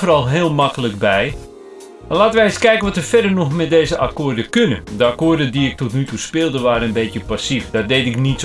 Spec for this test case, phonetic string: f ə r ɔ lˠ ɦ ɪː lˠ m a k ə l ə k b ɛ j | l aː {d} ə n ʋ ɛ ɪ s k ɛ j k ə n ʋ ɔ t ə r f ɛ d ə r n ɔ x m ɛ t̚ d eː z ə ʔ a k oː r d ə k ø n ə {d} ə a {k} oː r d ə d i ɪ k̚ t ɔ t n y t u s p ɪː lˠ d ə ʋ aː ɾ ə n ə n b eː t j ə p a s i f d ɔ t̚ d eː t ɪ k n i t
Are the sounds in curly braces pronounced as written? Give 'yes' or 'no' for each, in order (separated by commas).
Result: no, yes, yes